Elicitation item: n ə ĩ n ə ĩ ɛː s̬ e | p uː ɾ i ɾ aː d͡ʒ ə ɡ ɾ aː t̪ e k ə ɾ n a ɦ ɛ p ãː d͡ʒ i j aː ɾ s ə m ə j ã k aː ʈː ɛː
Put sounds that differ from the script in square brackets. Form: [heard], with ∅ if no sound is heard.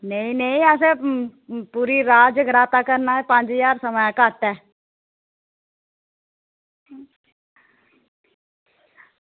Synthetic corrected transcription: n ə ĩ n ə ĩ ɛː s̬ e | p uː ɾ i ɾ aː d͡ʒ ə ɡ ɾ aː t̪ [a] k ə ɾ n a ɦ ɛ p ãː d͡ʒ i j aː ɾ s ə m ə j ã k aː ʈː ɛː